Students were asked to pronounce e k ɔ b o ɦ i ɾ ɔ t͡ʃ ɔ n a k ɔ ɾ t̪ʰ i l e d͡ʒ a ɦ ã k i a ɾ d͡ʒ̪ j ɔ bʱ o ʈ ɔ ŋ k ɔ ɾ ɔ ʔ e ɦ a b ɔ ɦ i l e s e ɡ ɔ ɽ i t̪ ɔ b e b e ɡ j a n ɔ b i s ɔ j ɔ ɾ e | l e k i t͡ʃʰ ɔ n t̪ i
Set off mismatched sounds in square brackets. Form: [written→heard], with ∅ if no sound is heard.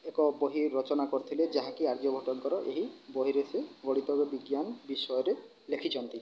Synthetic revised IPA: e k ɔ b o ɦ i ɾ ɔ t͡ʃ ɔ n a k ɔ ɾ t̪ʰ i l e d͡ʒ a ɦ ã k i a ɾ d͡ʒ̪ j ɔ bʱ [o→ɔ] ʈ ɔ ŋ k ɔ ɾ ɔ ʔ e ɦ [a→i] b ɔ ɦ i [l→ɾ] e s e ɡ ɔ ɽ i t̪ ɔ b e b [e→i] ɡ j a n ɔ b i s ɔ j ɔ ɾ e | l e [k→kʰ] i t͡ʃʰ ɔ n t̪ i